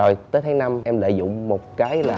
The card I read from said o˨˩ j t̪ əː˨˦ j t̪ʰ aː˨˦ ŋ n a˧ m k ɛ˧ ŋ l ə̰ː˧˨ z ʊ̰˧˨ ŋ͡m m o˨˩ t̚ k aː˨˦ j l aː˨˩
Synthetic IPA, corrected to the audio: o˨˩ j t̪ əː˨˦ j t̪ʰ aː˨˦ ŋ n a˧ m ʔ ɛ˧ m l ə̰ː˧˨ z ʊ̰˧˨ ŋ͡m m o˨˩ t̚ k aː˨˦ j l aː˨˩